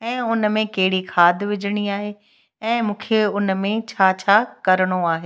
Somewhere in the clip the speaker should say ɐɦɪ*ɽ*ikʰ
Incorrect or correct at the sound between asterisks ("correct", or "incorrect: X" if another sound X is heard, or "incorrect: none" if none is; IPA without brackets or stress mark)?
correct